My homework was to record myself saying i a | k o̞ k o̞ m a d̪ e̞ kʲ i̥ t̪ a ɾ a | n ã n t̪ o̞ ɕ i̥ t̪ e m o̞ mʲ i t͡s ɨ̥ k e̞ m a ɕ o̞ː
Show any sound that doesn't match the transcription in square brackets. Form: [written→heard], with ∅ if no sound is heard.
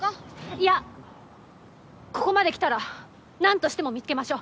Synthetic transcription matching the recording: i a | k o̞ k o̞ m a d̪ e̞ kʲ i̥ t̪ a ɾ a | n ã n t̪ o̞ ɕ i̥ t̪ e m o̞ mʲ i t͡s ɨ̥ k e̞ m a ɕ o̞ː